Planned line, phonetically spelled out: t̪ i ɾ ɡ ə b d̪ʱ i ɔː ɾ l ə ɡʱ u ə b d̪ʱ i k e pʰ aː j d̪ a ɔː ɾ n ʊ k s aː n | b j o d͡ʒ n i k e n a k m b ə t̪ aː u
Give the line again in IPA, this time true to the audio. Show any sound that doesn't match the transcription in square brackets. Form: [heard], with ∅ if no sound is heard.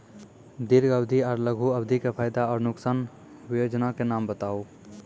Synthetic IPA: [d̪] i ɾ ɡ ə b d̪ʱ i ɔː ɾ l ə ɡʱ u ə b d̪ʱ i k e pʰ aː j d̪ a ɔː ɾ n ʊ k s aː n | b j o d͡ʒ n [a] k e n a [∅] m b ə t̪ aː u